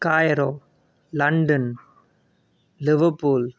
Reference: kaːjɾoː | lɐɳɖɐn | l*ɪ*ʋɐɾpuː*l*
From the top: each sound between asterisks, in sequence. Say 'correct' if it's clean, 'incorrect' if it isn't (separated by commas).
correct, correct